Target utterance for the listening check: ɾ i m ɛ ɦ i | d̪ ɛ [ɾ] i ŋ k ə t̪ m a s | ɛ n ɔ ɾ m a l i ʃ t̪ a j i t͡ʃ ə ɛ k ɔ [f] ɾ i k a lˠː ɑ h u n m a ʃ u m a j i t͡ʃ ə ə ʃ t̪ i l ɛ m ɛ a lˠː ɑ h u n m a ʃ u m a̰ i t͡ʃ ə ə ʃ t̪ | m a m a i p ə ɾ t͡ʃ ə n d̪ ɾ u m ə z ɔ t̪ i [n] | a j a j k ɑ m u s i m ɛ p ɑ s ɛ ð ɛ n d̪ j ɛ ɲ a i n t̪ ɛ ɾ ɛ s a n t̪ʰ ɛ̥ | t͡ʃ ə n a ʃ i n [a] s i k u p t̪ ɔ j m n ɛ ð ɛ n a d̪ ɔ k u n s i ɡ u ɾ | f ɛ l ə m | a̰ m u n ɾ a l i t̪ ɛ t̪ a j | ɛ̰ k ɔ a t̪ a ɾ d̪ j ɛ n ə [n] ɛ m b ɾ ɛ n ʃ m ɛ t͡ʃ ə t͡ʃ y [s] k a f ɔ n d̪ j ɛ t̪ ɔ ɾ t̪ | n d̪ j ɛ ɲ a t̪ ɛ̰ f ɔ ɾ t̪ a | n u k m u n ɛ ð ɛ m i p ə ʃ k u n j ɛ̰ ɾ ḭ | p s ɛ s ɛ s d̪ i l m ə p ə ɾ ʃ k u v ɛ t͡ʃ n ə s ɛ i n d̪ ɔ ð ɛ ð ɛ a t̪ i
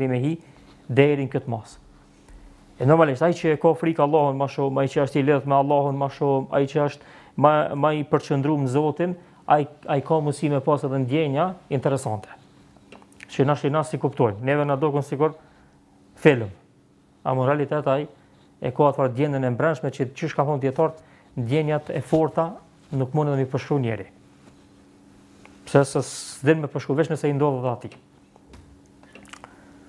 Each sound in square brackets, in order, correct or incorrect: correct, correct, correct, correct, correct, incorrect

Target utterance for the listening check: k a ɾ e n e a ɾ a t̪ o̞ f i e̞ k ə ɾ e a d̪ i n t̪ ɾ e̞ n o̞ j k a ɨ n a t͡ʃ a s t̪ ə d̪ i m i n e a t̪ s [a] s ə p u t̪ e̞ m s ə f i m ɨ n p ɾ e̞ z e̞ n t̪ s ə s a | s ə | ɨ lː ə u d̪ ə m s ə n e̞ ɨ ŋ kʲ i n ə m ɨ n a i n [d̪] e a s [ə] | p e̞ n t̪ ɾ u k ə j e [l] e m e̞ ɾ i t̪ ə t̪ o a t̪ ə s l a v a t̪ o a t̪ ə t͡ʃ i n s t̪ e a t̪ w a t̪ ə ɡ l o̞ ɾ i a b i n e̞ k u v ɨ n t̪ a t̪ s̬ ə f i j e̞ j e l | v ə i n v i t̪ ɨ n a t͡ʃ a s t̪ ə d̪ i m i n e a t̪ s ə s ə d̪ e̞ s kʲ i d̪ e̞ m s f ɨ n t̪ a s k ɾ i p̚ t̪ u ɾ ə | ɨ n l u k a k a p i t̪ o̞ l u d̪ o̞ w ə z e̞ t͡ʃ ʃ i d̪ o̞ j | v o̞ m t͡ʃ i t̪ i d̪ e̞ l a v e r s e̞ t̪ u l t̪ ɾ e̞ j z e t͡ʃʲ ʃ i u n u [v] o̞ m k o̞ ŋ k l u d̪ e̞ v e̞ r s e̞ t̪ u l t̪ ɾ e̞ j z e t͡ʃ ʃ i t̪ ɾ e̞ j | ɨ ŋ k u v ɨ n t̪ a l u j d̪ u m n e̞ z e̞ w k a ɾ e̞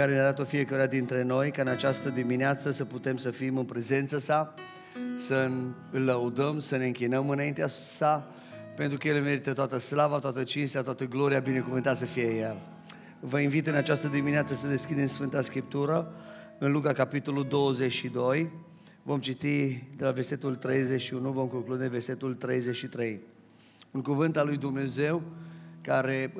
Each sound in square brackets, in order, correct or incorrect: incorrect, incorrect, incorrect, correct, correct

